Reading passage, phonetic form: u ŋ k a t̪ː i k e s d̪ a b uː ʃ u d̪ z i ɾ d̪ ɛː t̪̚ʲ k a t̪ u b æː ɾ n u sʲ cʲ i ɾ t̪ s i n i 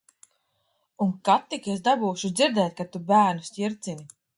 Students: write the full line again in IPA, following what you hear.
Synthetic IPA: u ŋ k a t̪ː i k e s d̪ a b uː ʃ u d̪ z i ɾ d̪ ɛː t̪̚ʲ k a t̪ u b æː ɾ n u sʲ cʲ i ɾ t̪ s i n i